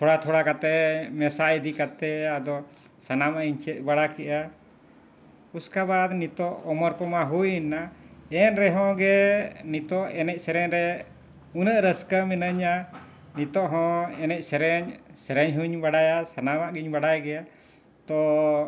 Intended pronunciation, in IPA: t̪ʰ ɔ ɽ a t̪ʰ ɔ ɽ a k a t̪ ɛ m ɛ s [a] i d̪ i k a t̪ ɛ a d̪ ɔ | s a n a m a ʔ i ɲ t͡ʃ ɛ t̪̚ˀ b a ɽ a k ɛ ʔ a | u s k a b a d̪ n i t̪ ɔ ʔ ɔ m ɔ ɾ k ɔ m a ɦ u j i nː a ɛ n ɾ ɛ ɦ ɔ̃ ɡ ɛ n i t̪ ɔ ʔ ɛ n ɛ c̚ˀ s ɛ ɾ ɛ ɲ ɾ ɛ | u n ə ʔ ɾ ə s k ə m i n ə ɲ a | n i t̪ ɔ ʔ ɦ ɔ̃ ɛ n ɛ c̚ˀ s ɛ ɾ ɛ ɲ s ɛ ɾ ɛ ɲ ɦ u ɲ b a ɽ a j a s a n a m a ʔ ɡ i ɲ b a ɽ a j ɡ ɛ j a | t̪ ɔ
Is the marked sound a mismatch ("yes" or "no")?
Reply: no